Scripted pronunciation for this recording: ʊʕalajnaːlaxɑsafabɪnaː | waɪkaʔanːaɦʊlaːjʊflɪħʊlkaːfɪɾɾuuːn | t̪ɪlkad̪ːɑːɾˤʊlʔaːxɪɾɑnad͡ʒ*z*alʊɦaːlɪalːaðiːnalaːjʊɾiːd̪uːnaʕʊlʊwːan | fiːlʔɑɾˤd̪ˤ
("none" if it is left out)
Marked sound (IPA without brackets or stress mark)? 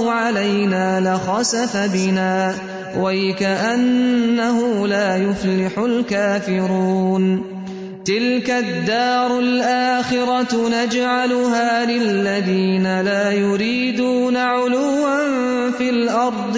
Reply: ʕ